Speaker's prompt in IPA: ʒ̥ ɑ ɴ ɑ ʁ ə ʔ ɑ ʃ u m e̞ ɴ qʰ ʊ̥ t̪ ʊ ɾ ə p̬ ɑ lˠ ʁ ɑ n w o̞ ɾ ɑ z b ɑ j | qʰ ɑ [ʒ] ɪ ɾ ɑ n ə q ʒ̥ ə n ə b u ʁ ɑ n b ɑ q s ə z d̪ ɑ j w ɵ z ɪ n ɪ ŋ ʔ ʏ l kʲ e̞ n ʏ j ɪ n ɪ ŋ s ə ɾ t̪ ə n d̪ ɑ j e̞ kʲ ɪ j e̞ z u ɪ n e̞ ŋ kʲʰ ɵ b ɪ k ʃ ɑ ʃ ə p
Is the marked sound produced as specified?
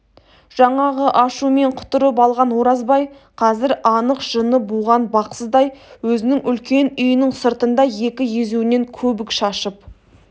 no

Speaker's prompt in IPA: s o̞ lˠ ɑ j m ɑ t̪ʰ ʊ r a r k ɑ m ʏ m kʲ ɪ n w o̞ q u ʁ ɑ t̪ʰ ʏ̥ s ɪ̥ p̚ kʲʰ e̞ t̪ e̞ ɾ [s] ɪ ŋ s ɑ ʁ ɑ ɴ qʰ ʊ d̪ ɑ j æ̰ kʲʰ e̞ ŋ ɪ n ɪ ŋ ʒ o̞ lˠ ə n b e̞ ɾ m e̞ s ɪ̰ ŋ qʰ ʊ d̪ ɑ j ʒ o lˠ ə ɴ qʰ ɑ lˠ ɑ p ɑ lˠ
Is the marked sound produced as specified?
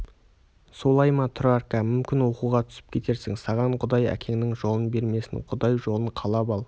yes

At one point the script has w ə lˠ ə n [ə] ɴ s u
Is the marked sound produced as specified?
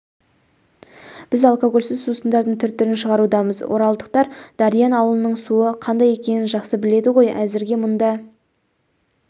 yes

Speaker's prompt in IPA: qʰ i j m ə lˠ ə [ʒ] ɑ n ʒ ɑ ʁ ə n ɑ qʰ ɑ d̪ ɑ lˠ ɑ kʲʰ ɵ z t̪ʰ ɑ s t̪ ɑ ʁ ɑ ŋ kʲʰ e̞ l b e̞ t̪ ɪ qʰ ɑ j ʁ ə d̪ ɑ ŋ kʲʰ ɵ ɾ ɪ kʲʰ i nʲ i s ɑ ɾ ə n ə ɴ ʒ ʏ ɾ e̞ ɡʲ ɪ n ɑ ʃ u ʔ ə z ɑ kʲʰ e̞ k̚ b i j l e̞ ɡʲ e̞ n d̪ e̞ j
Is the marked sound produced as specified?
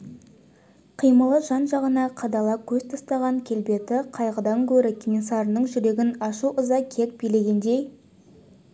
yes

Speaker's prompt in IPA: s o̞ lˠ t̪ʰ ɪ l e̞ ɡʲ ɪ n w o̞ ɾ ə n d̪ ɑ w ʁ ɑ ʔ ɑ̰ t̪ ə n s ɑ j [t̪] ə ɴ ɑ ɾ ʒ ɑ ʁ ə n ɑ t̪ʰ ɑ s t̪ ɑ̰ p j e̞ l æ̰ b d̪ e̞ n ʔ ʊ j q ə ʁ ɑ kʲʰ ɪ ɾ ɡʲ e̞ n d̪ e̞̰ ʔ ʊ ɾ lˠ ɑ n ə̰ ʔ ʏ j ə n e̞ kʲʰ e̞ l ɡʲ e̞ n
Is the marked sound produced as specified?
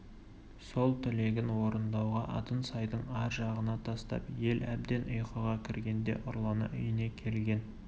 no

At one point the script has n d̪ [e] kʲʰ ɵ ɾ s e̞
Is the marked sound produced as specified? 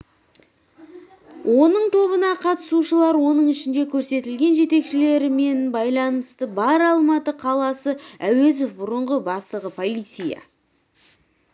yes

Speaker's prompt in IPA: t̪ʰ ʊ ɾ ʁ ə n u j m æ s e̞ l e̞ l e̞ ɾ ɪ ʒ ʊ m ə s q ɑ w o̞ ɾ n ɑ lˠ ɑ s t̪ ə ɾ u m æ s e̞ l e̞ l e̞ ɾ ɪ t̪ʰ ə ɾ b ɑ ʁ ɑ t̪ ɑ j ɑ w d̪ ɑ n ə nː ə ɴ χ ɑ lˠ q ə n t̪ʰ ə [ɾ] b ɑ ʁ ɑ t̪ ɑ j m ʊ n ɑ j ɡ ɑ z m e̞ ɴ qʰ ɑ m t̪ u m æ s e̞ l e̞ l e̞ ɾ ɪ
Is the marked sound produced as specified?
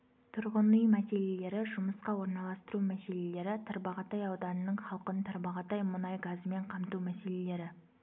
yes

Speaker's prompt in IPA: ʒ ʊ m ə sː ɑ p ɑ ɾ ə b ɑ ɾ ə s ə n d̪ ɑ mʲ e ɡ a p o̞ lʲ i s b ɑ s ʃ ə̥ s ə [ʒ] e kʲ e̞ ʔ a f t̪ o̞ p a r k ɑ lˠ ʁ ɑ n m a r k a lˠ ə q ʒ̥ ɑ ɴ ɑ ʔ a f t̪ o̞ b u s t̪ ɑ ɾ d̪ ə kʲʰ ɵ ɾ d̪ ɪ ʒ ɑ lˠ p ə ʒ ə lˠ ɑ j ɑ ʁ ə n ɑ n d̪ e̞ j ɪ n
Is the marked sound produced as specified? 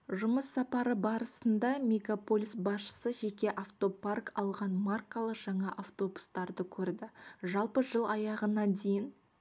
yes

